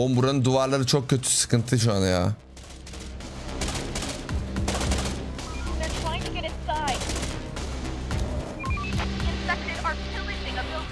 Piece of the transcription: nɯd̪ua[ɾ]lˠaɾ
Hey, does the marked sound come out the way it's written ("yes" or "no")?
yes